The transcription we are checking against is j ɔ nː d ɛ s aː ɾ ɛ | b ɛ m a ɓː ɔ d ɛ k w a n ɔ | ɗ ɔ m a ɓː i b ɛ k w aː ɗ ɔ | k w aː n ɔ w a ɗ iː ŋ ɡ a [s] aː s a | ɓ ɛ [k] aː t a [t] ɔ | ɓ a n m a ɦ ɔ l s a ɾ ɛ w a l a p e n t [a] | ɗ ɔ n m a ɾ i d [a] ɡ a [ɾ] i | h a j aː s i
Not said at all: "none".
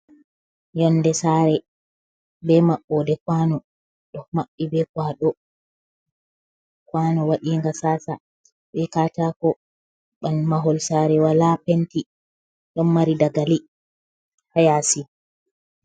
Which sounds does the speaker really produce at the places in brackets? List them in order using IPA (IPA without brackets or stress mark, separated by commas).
s, k, k, i, a, l